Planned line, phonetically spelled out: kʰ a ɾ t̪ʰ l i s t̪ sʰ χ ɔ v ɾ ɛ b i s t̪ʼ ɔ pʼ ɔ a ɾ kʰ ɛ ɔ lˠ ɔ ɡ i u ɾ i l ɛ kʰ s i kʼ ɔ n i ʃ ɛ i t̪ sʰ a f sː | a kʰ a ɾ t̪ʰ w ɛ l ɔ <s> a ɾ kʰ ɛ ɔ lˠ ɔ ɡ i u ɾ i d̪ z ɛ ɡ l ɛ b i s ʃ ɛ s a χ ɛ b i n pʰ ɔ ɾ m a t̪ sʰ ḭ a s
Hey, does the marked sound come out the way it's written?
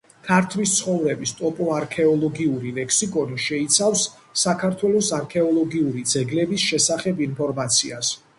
yes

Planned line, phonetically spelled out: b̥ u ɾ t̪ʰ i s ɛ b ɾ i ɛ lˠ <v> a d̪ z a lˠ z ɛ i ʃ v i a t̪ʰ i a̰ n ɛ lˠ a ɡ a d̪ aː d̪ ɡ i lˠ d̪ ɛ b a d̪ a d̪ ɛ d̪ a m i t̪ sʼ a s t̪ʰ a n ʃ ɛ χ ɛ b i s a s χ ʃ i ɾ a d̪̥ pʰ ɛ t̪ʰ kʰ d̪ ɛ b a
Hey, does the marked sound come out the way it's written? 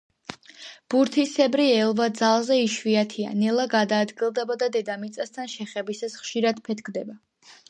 yes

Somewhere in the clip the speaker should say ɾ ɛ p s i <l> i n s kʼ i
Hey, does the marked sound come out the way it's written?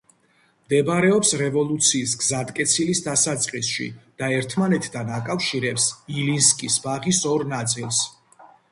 yes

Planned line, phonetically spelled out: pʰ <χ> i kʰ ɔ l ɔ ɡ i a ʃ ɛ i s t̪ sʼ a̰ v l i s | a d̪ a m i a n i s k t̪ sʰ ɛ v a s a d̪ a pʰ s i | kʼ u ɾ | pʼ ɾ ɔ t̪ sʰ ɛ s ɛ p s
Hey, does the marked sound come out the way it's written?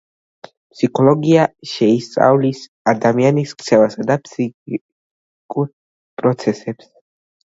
no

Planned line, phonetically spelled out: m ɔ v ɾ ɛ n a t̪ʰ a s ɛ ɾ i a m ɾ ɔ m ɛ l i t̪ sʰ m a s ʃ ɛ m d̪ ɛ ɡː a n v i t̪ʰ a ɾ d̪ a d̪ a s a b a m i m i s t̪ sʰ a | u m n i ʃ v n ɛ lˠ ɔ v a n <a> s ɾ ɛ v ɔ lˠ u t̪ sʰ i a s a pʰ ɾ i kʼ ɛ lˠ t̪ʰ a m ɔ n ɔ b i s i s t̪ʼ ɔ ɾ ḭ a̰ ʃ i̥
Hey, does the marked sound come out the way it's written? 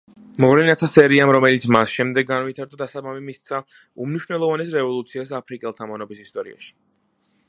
no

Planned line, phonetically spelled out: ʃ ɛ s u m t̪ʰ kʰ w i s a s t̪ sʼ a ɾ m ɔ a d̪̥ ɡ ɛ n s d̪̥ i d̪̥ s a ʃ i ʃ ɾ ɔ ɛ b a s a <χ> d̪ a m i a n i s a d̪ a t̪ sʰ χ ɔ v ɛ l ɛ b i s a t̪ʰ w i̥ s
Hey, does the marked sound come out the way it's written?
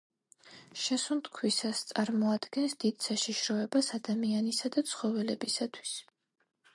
no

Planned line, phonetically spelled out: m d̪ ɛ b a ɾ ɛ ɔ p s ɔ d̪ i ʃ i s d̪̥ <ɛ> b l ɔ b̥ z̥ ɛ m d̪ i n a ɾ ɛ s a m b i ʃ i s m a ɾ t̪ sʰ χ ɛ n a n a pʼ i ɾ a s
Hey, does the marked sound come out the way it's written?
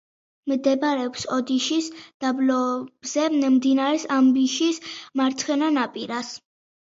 no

